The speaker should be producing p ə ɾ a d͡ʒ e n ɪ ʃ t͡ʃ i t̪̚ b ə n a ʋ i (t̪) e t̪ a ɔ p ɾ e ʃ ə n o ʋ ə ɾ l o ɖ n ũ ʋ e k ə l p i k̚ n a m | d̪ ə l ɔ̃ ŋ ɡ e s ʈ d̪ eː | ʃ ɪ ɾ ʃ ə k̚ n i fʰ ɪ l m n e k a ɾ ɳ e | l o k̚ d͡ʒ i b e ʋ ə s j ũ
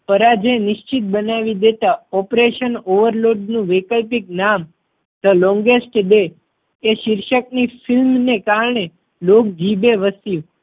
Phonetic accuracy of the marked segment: incorrect: d̪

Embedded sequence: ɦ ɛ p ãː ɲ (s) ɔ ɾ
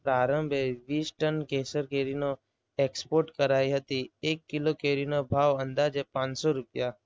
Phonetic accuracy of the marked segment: correct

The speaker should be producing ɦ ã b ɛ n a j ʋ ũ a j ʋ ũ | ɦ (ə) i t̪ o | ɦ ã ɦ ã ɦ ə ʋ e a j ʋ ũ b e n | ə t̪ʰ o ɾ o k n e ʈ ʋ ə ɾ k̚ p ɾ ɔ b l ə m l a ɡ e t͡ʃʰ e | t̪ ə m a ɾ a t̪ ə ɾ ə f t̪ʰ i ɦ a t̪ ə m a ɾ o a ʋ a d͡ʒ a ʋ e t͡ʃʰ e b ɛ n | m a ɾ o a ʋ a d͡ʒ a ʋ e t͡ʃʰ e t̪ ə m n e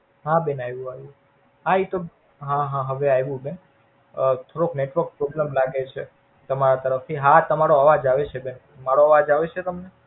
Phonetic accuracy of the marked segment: incorrect: a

